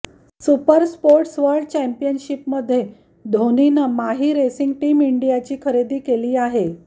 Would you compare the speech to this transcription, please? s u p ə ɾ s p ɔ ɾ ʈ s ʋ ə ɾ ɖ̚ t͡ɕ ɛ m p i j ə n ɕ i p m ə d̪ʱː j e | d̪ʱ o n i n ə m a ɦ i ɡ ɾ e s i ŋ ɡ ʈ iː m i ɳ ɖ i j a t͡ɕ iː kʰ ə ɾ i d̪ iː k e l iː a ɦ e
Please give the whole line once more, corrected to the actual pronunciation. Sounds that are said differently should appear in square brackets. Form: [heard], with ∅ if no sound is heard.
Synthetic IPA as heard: s u p ə ɾ s p [o] ɾ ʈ s ʋ ə ɾ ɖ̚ t͡ɕ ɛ m p i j ə n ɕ i p m ə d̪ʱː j e | d̪ʱ o n i n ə m a ɦ i [∅] ɾ e s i ŋ ɡ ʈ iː m i ɳ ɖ i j a t͡ɕ iː kʰ ə ɾ [e] d̪ iː k e l iː a ɦ e